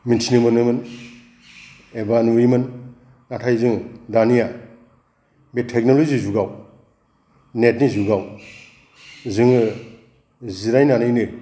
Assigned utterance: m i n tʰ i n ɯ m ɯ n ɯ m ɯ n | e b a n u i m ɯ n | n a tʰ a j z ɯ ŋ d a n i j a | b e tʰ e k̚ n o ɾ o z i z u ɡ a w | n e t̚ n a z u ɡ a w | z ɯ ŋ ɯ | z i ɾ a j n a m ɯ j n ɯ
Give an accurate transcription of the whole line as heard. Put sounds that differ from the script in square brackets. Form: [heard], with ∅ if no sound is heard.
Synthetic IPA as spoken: m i n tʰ i n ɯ m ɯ n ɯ m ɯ n | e b a n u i m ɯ n | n a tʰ a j z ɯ ŋ d a n i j a | b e tʰ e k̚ n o [l] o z i z u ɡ a w | n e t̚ n [i] z u ɡ a w | z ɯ ŋ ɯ | z i ɾ a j n a [n] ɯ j n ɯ

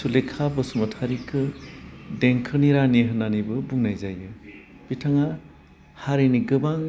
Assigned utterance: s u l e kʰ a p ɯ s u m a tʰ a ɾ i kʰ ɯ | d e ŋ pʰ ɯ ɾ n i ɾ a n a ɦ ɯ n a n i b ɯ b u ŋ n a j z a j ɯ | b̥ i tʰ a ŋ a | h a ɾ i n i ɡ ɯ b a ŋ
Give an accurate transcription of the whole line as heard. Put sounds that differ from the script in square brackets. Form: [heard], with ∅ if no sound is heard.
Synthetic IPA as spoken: s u l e kʰ a [b] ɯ s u m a tʰ a ɾ i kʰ ɯ | d e ŋ [kʰ] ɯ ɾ n i ɾ a n [i] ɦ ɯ n a n i b ɯ b u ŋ n a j z a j ɯ | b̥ i tʰ a ŋ a | h a ɾ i n i ɡ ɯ b a ŋ

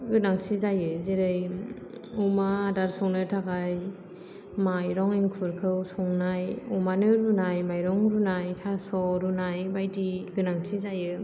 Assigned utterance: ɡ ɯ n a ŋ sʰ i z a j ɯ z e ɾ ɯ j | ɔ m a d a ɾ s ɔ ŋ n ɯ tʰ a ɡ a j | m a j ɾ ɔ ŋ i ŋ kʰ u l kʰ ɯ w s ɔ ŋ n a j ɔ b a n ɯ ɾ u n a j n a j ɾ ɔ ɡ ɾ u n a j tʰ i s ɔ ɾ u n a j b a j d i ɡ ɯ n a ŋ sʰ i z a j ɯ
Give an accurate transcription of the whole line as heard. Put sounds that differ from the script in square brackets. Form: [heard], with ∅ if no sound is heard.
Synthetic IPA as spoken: ɡ ɯ n a ŋ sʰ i z a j ɯ z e ɾ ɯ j | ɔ m a d a ɾ s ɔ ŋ n ɯ tʰ a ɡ a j | m a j ɾ ɔ ŋ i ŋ kʰ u [ɾ] kʰ ɯ w s ɔ ŋ n a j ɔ [m] a n ɯ ɾ u n a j [m] a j ɾ ɔ [ŋ] ɾ u n a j tʰ [a] s ɔ ɾ u n a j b a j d i ɡ ɯ n a ŋ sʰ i z a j ɯ

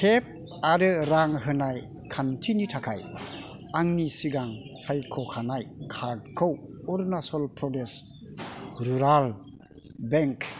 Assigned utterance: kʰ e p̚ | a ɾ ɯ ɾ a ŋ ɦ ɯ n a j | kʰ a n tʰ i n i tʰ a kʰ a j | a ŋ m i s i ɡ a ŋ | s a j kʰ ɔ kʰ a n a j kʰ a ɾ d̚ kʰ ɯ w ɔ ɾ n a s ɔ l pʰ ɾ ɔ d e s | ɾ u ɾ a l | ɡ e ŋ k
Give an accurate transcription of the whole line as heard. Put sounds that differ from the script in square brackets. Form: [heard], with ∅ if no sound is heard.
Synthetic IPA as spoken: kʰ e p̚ | a ɾ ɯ ɾ a ŋ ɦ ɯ n a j | kʰ a n tʰ i n i tʰ a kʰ a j | a ŋ [n] i s i ɡ a ŋ | s a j kʰ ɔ kʰ a n a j kʰ a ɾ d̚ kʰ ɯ w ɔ ɾ n a s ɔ l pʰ ɾ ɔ d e s | ɾ u ɾ a l | [b] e ŋ k

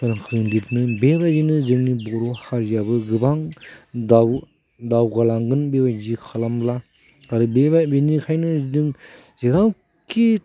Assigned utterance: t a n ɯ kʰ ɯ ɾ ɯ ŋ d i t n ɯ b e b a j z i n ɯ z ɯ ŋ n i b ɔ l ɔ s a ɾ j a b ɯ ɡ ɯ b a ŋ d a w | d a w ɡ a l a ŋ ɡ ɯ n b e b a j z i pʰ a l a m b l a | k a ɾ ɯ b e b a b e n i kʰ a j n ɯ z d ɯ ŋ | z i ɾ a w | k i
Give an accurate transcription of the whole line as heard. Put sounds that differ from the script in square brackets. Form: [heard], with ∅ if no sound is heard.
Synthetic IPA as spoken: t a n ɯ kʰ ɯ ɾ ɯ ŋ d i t n ɯ b e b a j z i n ɯ z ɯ ŋ n i b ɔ [ɾ] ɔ [h] a ɾ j a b ɯ ɡ ɯ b a ŋ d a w | d a w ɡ a l a ŋ ɡ ɯ n b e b a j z i [kʰ] a l a m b l a | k a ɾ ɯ b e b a b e n i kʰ a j n ɯ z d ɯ ŋ | z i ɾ a w | k i

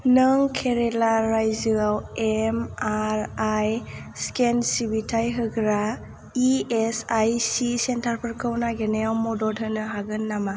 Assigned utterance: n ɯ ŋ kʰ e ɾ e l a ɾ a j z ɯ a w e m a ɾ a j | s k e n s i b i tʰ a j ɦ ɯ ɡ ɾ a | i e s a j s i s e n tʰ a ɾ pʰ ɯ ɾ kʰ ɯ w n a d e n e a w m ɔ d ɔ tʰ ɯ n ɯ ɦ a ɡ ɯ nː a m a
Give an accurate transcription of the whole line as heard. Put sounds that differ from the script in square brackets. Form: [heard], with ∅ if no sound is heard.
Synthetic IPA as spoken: n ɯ ŋ kʰ e ɾ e l a ɾ a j z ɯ a w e m a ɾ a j | s k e n s i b i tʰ a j ɦ ɯ ɡ ɾ a | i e s a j s i s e n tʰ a ɾ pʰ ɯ ɾ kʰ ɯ w n a [ɡ] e n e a w m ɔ d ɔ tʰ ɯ n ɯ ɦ a ɡ ɯ nː a m a

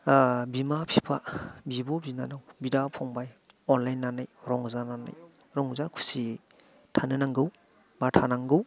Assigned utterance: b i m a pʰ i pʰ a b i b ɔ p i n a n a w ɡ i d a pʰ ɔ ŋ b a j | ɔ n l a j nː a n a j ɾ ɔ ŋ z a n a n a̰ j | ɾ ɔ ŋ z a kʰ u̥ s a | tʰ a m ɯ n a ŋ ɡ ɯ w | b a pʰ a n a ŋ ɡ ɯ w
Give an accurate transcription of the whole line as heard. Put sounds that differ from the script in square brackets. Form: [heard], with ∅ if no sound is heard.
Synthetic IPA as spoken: b i m a pʰ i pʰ a b i b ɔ [b] i n a n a w [b] i d a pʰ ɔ ŋ b a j | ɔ n l a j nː a n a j ɾ ɔ ŋ z a n a n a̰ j | ɾ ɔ ŋ z a kʰ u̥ s [i] | tʰ a [n] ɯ n a ŋ ɡ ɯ w | b a [tʰ] a n a ŋ ɡ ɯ w

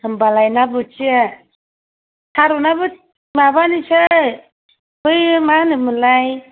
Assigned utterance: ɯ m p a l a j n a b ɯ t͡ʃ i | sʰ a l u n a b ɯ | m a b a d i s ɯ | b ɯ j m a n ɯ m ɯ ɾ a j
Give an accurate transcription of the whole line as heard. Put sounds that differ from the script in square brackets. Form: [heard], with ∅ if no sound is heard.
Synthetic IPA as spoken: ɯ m [b] a l a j n a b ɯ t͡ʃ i | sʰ a [ɾ] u n a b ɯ | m a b a [n] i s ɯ | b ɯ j m a n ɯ m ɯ [l] a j

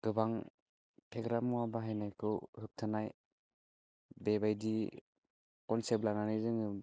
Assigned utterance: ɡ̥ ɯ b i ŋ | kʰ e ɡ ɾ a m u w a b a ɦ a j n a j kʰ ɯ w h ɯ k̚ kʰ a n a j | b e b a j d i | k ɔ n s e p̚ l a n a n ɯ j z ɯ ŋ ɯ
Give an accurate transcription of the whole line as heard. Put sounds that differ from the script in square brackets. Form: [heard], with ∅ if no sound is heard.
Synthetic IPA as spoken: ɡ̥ ɯ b [a] ŋ | [pʰ] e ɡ ɾ a m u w a b a ɦ a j n a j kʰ ɯ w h ɯ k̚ [tʰ] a n a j | b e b a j d i | k ɔ n s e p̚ l a n a n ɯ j z ɯ ŋ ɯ

